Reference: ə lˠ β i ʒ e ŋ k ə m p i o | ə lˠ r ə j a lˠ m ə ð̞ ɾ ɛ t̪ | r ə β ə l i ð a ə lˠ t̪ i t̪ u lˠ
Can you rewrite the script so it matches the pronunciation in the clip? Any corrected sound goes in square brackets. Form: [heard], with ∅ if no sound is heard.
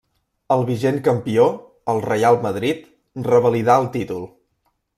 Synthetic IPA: ə lˠ β i ʒ e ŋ k ə m p i o | ə lˠ r ə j a lˠ m ə ð̞ ɾ [i] t̪ | r ə β ə l i ð a ə lˠ t̪ i t̪ u lˠ